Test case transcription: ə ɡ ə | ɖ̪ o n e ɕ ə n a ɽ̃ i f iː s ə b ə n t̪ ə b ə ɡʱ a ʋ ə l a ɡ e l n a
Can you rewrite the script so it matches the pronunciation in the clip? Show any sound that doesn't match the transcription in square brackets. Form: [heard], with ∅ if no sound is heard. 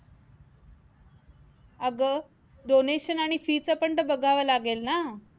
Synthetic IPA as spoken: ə ɡ ə | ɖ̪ o n e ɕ ə n a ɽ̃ i f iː [t͡s] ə [p] ə [ɳ] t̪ ə b ə ɡʱ a ʋ ə l a ɡ e l n a